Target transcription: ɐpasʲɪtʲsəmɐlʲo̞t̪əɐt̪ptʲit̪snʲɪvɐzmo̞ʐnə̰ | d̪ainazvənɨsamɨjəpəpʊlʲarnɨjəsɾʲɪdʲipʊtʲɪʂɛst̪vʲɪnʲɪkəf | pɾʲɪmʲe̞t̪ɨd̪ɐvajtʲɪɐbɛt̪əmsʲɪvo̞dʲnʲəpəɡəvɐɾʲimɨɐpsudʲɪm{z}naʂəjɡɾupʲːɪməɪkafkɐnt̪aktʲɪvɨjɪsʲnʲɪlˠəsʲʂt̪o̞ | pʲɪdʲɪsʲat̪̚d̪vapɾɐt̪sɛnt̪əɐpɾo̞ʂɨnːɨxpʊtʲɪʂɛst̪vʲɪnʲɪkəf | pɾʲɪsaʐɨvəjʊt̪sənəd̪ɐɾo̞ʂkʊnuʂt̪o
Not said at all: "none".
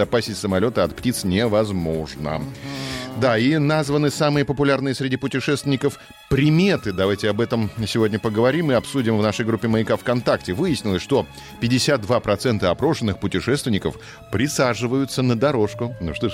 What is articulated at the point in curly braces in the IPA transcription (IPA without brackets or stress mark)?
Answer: v